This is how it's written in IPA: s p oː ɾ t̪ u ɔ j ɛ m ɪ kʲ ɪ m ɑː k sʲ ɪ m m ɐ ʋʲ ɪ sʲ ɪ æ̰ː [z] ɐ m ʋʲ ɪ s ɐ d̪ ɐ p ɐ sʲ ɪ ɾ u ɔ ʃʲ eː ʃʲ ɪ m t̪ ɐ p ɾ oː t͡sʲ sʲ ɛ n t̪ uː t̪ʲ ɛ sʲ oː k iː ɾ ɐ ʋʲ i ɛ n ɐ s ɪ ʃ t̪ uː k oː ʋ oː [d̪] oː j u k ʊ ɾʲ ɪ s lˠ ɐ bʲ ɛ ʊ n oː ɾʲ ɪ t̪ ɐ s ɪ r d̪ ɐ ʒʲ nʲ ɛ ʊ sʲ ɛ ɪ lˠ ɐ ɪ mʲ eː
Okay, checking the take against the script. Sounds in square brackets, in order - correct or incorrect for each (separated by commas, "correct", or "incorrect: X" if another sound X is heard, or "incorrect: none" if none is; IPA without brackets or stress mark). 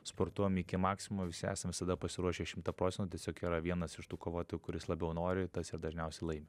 incorrect: s, incorrect: t̪